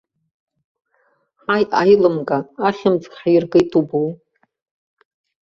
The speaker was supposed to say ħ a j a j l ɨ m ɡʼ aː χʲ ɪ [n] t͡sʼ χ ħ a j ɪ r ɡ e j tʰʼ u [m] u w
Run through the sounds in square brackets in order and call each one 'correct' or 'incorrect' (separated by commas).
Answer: incorrect, incorrect